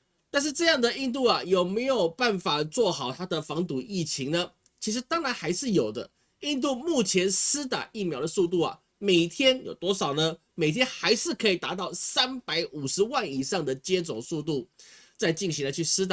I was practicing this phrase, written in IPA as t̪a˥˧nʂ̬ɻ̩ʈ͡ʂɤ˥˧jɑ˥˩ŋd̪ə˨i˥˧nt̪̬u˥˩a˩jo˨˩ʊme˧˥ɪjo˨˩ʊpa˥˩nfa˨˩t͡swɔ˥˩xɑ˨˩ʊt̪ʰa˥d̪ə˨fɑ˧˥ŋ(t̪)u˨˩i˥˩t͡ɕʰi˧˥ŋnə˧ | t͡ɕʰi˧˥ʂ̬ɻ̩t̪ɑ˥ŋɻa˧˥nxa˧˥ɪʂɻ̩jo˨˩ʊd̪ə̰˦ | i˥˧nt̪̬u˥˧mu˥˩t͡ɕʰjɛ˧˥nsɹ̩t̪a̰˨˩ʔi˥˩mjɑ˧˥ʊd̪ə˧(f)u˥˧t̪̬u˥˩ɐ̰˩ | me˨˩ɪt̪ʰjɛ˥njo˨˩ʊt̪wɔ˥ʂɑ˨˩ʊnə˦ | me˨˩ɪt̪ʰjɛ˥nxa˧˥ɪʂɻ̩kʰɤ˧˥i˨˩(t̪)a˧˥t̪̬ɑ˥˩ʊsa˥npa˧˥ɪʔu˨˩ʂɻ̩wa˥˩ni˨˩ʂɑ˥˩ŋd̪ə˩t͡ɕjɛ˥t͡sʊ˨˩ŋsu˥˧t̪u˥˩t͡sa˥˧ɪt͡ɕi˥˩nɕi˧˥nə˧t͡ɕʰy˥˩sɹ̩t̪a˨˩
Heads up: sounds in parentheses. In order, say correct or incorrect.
correct, incorrect: s, correct

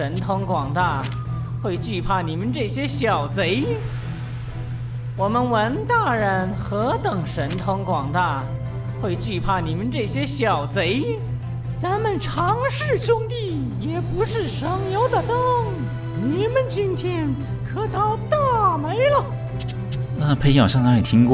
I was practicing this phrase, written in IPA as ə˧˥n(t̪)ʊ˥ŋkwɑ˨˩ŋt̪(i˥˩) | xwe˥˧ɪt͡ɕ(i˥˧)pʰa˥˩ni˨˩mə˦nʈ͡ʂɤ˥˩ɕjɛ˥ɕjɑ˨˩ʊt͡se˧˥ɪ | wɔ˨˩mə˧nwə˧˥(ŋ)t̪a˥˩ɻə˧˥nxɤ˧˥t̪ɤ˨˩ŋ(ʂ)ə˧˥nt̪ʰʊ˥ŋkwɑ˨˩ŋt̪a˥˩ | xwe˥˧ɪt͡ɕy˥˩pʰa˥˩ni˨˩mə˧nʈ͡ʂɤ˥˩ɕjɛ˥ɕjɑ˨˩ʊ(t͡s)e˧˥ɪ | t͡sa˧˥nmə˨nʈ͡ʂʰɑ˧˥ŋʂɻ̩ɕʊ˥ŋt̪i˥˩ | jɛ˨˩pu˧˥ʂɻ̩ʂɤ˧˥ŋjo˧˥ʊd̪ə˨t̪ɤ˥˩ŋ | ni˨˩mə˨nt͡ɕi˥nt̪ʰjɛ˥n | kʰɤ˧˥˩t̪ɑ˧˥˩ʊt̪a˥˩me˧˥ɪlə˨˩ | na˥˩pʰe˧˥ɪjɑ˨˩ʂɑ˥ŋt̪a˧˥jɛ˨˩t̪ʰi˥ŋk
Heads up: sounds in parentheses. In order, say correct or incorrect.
incorrect: t̪ʰ, incorrect: a˥˩, incorrect: y˥˧, incorrect: n, correct, correct

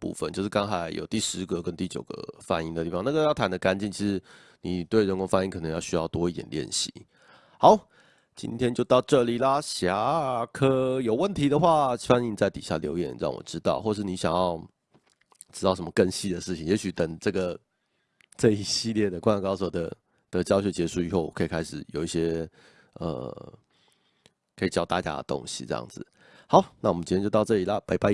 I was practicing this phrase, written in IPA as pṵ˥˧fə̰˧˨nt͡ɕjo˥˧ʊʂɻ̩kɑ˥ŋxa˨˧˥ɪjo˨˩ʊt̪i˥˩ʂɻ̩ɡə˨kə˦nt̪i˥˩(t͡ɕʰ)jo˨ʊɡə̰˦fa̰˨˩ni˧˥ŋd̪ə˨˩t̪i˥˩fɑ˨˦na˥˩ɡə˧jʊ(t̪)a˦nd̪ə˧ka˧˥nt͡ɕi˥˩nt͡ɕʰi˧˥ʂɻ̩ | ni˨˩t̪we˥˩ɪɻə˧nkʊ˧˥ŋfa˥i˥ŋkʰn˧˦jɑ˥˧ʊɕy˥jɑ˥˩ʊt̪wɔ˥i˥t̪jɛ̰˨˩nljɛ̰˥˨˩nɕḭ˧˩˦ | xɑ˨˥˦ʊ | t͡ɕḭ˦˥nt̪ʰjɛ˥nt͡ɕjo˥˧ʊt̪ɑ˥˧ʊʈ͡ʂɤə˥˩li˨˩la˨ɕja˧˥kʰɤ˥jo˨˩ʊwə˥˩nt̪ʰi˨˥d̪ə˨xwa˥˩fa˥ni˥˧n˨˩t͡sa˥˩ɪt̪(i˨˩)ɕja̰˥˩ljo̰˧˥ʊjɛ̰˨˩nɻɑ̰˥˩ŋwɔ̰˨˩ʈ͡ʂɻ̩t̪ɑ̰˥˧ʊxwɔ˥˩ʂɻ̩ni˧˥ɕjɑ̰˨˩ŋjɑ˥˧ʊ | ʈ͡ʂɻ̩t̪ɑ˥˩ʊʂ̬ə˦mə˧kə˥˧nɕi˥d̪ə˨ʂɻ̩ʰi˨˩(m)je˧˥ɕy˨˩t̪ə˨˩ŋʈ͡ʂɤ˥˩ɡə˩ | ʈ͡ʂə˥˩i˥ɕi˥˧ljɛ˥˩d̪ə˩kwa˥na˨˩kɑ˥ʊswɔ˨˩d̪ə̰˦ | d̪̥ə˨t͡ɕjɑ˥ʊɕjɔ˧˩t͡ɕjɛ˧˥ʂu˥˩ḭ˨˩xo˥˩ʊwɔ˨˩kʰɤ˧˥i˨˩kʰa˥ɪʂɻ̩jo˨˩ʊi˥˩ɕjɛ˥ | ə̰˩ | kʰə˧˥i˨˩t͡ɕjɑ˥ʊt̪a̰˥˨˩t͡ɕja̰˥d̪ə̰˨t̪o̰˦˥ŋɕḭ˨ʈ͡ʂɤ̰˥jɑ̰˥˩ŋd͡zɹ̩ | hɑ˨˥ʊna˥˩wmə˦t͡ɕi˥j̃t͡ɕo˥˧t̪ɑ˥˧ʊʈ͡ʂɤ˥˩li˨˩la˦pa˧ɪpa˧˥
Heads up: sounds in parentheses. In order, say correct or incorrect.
incorrect: t͡ɕ, incorrect: t̪ʰ, correct, incorrect: ŋ

